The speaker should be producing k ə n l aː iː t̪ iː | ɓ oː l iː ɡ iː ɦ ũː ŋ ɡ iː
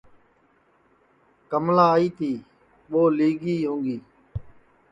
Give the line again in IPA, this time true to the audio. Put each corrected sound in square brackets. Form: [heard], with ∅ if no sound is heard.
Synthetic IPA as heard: k ə [m] l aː iː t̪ iː | ɓ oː l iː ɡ iː ɦ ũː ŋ ɡ iː